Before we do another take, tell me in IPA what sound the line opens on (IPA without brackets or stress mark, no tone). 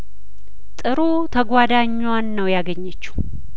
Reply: t̪ʼ